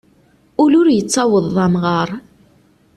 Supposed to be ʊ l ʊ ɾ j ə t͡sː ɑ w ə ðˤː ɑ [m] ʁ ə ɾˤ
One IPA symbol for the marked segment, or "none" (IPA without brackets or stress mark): m